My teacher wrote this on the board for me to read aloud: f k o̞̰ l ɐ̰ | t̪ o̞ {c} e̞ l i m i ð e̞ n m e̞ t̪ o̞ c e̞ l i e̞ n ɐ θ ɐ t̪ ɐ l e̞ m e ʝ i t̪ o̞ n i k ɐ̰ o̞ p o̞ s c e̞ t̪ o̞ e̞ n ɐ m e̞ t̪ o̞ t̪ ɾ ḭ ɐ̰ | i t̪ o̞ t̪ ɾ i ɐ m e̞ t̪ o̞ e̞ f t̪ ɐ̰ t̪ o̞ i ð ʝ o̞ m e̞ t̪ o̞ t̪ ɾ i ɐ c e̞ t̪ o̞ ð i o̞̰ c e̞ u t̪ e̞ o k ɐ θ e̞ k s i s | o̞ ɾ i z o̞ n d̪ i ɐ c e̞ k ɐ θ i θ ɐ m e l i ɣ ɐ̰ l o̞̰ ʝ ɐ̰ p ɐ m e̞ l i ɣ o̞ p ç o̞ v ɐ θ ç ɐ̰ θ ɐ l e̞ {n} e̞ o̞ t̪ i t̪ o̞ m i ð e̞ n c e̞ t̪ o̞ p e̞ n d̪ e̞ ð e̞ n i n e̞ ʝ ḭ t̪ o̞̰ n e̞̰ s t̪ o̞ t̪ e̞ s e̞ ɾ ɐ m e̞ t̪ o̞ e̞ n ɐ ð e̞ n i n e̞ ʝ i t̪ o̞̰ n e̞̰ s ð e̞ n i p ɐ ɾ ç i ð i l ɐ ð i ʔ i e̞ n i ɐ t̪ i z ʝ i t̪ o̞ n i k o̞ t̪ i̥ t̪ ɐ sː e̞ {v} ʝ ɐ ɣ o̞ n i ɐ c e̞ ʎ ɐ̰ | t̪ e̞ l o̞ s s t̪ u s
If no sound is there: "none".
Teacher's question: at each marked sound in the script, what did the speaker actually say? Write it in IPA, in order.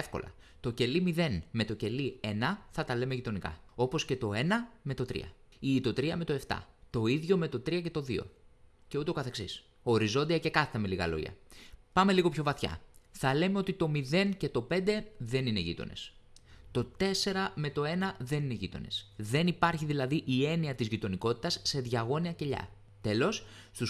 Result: c, m, ð

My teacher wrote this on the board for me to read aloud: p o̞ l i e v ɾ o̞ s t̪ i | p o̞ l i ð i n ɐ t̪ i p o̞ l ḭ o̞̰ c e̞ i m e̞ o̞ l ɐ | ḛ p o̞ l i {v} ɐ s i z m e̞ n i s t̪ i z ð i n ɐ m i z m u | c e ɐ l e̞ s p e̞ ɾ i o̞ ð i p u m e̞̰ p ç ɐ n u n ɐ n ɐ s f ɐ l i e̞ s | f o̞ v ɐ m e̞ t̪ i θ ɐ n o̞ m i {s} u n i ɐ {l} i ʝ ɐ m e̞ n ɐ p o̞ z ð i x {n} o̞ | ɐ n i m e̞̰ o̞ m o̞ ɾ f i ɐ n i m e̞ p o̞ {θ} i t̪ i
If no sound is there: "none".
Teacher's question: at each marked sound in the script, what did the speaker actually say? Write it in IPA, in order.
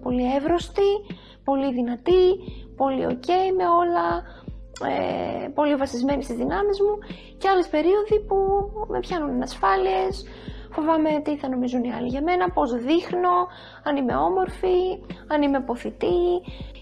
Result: v, z, l, n, θ

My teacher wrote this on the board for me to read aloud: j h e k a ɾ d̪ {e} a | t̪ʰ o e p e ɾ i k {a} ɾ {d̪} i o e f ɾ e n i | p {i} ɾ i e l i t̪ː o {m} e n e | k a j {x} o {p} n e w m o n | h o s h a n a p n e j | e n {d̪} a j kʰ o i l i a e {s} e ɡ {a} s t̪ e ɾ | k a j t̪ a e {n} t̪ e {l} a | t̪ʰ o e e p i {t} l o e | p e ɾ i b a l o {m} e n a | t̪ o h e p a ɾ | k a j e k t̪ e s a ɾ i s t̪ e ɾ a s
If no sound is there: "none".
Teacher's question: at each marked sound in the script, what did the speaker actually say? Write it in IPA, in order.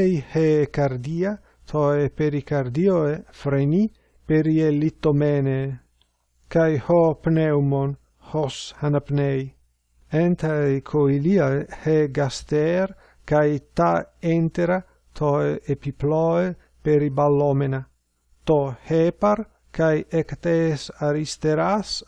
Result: i, a, d̪, e, m, h, p, t̪, h, a, n, ɾ, p, m

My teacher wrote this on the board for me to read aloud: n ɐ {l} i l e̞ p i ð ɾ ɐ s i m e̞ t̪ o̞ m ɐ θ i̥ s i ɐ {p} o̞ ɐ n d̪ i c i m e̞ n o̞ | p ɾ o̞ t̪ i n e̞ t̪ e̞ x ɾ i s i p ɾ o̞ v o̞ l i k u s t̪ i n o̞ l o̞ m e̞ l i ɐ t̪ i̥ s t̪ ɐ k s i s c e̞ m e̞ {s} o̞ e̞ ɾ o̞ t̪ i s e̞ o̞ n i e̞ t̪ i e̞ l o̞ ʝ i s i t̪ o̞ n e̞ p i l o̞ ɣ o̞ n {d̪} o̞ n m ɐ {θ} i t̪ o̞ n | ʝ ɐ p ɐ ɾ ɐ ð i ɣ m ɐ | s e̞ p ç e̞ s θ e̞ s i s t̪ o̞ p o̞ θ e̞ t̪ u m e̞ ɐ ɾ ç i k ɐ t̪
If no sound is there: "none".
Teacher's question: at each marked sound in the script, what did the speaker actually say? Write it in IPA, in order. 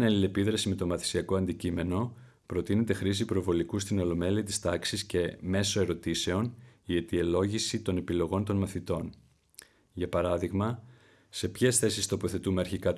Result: l, k, s, t̪, θ

